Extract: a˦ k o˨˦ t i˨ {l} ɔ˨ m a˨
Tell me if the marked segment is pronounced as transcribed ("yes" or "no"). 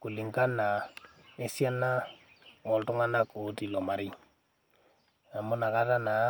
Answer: yes